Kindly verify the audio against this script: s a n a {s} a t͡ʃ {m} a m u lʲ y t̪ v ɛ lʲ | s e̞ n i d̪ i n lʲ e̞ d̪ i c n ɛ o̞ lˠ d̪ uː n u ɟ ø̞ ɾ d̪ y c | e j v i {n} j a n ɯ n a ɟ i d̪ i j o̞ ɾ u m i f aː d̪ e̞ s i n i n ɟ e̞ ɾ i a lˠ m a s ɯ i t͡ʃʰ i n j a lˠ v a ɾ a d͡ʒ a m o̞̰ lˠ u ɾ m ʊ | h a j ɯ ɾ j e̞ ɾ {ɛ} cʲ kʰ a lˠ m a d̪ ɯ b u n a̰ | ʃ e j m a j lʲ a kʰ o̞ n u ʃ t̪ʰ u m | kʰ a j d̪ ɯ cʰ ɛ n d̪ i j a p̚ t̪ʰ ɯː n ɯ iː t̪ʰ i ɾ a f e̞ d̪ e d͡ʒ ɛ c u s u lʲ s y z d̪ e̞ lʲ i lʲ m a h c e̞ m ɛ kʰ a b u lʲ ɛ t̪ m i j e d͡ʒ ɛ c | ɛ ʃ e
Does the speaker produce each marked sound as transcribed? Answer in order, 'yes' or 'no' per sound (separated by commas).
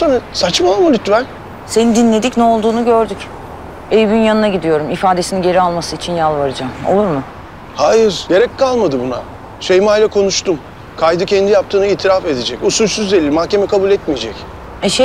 yes, yes, yes, yes